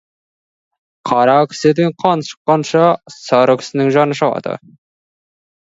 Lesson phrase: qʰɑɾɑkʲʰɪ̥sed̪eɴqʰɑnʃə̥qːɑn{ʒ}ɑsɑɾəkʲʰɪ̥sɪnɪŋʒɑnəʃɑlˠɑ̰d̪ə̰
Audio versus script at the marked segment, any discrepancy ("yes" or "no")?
yes